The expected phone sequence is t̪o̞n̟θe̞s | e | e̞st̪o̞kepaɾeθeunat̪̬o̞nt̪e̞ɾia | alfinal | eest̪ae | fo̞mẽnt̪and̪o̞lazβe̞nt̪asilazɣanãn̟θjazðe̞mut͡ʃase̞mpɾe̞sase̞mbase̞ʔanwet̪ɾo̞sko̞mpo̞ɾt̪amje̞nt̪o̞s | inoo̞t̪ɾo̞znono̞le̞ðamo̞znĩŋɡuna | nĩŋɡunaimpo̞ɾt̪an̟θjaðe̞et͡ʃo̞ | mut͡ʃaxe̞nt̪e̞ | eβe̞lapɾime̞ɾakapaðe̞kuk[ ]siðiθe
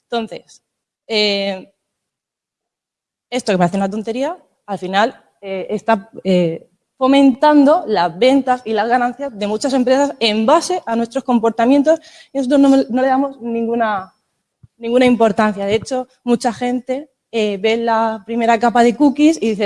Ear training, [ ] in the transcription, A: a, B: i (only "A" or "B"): B